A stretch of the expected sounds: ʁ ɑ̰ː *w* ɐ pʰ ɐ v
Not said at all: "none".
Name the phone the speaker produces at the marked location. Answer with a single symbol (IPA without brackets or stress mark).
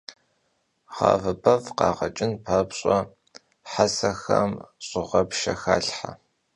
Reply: v